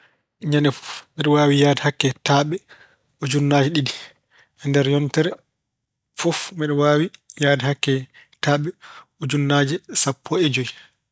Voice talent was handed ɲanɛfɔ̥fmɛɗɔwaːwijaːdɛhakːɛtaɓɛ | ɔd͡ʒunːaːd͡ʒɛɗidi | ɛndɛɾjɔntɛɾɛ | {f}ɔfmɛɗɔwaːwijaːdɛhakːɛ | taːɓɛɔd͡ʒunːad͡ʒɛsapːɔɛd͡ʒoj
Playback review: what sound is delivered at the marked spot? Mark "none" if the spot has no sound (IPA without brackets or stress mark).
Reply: f